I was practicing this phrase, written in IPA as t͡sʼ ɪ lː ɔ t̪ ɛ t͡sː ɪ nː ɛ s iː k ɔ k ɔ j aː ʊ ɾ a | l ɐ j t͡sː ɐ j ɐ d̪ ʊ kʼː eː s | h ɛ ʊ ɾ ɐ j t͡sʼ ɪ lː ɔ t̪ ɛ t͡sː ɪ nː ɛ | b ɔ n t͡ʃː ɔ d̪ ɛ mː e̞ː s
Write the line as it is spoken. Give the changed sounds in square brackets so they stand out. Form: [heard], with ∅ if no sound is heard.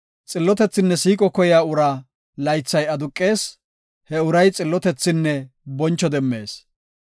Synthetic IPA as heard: t͡sʼ ɪ lː ɔ t̪ ɛ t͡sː ɪ nː ɛ s iː [kʼ] ɔ k ɔ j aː ʊ ɾ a | l ɐ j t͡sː ɐ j ɐ d̪ ʊ kʼː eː s | h ɛ ʊ ɾ ɐ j t͡sʼ ɪ lː ɔ t̪ ɛ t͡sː ɪ nː ɛ | b ɔ n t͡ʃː ɔ d̪ ɛ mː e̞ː s

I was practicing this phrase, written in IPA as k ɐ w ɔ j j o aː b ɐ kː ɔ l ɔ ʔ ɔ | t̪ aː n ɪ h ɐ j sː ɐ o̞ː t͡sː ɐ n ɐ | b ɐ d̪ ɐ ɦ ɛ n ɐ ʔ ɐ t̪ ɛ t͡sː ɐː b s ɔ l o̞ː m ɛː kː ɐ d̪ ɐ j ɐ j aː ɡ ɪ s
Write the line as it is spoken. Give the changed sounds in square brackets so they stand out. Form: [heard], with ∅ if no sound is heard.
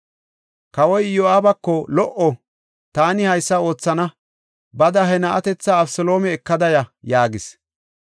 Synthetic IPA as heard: k ɐ w ɔ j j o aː b ɐ kː ɔ l ɔ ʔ ɔ | t̪ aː n ɪ h ɐ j sː ɐ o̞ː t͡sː ɐ n ɐ | b ɐ d̪ ɐ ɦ ɛ n ɐ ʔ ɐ t̪ ɛ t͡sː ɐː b s ɔ l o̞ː m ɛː kː ɐ d̪ ɐ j ɐ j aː ɡ ɪ s

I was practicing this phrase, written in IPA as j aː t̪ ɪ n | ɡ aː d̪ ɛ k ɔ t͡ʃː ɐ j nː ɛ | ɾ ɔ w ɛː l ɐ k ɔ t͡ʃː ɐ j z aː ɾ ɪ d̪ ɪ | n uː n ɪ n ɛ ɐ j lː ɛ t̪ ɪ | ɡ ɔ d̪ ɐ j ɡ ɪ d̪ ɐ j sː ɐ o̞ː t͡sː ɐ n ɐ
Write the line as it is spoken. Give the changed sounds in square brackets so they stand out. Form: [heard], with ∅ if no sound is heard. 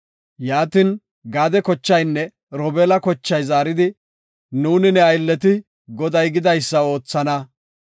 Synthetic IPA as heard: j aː t̪ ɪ n | ɡ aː d̪ ɛ k ɔ t͡ʃː ɐ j nː ɛ | ɾ ɔ [b] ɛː l ɐ k ɔ t͡ʃː ɐ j z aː ɾ ɪ d̪ ɪ | n uː n ɪ n ɛ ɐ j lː ɛ t̪ ɪ | ɡ ɔ d̪ ɐ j ɡ ɪ d̪ ɐ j sː ɐ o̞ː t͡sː ɐ n ɐ

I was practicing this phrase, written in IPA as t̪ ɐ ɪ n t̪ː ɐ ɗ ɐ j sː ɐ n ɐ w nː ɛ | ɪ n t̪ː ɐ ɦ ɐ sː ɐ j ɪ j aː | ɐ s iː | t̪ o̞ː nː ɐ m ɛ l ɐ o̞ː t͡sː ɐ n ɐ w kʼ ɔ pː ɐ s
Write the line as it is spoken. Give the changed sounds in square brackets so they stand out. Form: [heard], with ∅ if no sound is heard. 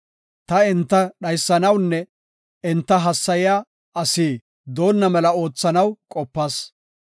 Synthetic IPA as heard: t̪ ɐ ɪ n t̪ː ɐ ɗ ɐ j sː ɐ n ɐ w nː ɛ | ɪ n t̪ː ɐ ɦ ɐ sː ɐ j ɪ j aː | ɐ s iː | [d̪] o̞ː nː ɐ m ɛ l ɐ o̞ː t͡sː ɐ n ɐ w kʼ ɔ pː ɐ s

